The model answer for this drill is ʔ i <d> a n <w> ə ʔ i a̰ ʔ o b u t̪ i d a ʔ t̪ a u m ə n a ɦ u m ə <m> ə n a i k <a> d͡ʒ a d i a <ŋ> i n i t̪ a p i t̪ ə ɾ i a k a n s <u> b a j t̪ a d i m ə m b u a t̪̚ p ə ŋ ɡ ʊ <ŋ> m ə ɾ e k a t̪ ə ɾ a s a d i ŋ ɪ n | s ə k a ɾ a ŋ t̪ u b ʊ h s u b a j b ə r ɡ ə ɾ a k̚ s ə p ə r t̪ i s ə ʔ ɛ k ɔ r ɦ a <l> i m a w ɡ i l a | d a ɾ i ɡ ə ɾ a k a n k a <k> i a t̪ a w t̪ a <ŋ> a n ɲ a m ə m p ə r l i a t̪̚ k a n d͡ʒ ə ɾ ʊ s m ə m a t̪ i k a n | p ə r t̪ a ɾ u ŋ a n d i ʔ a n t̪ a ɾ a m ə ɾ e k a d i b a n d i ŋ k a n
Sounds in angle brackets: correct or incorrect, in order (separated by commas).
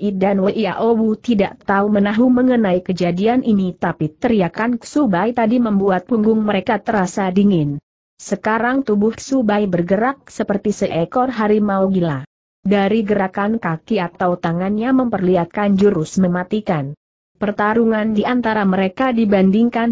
correct, correct, incorrect, incorrect, incorrect, correct, correct, incorrect, correct, correct